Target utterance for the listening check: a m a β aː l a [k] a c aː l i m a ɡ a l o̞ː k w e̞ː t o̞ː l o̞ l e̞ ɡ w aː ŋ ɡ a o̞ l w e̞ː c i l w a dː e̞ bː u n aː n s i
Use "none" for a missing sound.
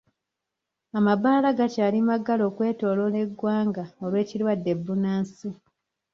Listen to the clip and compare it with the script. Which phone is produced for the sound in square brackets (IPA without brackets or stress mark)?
ɡ